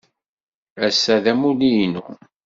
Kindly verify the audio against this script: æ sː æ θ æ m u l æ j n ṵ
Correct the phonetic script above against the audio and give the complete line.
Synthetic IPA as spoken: æ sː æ ð æ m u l i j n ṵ